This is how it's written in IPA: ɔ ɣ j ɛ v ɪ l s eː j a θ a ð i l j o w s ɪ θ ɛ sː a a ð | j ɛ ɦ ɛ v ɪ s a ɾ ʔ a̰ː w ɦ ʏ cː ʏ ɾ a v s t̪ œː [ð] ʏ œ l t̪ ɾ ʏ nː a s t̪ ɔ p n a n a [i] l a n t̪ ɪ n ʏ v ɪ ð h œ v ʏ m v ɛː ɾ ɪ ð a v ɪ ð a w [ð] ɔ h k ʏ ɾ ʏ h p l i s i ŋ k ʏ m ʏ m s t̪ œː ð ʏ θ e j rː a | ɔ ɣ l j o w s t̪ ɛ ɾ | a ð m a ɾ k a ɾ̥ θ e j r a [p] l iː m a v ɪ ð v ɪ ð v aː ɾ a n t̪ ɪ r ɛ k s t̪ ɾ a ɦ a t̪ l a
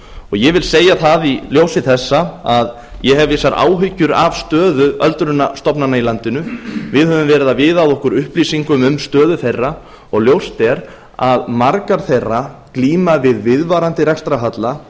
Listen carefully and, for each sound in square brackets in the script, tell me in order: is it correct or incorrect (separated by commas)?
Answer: correct, correct, correct, incorrect